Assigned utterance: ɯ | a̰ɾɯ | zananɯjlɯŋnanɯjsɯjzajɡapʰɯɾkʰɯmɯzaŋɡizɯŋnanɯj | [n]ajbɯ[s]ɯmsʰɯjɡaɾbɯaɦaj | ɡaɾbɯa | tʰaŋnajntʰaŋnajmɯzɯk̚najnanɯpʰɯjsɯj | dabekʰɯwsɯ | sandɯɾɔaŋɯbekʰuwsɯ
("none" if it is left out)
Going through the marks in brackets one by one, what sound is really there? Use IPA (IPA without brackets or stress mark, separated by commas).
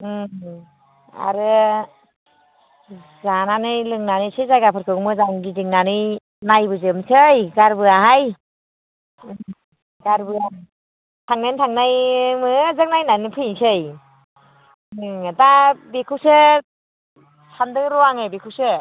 n, z